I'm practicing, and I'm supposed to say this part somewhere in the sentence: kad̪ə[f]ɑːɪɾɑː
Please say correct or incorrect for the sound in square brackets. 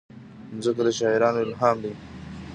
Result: incorrect: ʃ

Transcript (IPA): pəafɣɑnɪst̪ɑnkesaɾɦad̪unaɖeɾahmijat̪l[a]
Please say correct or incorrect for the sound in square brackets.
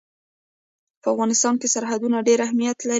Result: correct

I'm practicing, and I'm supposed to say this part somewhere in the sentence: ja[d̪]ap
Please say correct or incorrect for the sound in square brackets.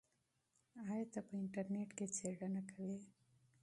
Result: incorrect: t̪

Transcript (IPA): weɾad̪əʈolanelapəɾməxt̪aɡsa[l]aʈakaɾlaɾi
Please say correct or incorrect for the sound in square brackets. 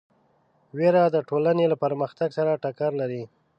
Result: incorrect: ɾ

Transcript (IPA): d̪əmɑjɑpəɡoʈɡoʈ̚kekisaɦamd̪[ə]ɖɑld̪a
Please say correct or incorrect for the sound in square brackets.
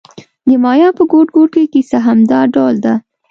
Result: incorrect: ɑ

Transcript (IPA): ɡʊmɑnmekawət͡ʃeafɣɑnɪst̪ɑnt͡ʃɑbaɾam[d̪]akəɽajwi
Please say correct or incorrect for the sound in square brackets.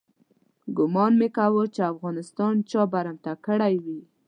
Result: incorrect: t̪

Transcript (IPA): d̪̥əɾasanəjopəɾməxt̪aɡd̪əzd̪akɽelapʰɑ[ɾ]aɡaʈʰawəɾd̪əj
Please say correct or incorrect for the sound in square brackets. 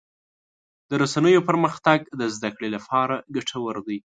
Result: correct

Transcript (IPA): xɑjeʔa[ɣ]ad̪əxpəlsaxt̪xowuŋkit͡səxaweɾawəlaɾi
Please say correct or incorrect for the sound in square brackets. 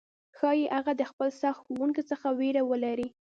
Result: correct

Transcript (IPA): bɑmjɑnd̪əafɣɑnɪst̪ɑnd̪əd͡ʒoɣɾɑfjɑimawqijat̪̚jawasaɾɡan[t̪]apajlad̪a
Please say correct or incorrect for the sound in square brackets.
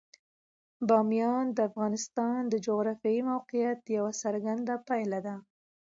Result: incorrect: d̪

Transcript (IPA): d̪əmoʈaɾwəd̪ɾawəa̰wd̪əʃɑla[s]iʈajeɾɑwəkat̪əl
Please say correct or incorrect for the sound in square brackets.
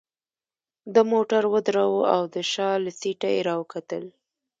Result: correct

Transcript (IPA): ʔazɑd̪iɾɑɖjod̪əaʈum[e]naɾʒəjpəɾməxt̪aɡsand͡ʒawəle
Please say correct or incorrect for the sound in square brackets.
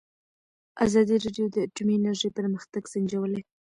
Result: incorrect: i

